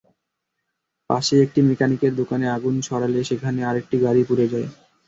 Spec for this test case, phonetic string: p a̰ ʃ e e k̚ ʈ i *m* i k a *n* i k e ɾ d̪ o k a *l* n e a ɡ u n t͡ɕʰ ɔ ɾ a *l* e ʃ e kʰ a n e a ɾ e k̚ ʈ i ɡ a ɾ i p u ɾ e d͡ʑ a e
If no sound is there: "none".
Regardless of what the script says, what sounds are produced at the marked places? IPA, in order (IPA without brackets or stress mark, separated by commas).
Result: m, n, none, l